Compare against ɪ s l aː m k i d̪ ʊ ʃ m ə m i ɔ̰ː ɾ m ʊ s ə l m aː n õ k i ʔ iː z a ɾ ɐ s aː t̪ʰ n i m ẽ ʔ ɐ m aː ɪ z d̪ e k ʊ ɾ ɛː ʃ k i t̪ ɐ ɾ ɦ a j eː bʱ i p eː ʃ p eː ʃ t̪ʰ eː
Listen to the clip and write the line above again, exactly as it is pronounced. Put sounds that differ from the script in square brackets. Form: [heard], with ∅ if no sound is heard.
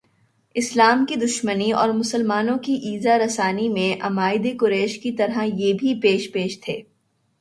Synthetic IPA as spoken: ɪ s l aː m k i d̪ ʊ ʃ m ə [n] i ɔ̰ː ɾ m ʊ s ə l m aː n õ k i ʔ iː z a ɾ ɐ s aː [∅] n i m ẽ ʔ ɐ m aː ɪ [∅] d̪ e k ʊ ɾ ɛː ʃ k i t̪ ɐ ɾ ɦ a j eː bʱ i p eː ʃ p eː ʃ t̪ʰ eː